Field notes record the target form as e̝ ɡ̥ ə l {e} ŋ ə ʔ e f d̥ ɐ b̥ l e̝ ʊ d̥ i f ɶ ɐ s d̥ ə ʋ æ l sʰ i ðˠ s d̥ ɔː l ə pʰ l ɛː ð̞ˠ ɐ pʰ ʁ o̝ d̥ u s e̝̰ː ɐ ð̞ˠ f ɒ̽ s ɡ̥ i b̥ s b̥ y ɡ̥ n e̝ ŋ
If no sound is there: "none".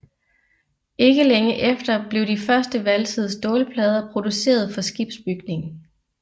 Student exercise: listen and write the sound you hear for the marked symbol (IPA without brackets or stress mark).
e